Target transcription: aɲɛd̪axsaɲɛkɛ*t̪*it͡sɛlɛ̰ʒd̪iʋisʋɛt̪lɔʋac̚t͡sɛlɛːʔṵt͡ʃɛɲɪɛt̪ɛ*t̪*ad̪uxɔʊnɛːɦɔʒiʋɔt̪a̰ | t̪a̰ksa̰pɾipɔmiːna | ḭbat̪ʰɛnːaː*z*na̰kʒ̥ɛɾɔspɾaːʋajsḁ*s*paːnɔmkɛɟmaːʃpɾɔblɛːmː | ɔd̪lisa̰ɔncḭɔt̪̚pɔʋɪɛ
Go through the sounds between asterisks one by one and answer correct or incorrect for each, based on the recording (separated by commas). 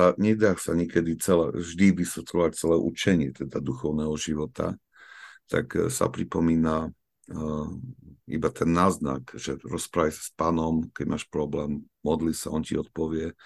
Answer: incorrect, incorrect, correct, correct